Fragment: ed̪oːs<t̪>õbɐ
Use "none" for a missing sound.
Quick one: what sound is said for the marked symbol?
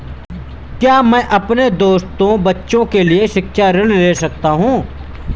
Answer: t̪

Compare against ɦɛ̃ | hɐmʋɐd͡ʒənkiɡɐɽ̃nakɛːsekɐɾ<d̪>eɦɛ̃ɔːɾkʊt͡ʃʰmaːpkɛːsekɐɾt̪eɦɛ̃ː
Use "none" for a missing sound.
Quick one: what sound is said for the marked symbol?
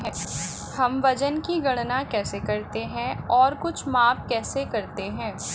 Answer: t̪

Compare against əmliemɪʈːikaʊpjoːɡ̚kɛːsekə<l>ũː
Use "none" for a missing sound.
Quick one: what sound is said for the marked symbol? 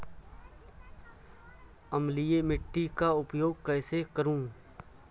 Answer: ɾ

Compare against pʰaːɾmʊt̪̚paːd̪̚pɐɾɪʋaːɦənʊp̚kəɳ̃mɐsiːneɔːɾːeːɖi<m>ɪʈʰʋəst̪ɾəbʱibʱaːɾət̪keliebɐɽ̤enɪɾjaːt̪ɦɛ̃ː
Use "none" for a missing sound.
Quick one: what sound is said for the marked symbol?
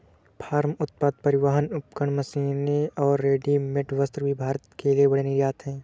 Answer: m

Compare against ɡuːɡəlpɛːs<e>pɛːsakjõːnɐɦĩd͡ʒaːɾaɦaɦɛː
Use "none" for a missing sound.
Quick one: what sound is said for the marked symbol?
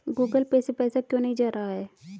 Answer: e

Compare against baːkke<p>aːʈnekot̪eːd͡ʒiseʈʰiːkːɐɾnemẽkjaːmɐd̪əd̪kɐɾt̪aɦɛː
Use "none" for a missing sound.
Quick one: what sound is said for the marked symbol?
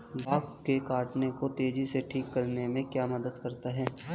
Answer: k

